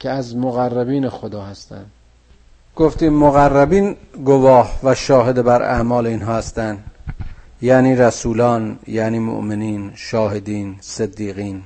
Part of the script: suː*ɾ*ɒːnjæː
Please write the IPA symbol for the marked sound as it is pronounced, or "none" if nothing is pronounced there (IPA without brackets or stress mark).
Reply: l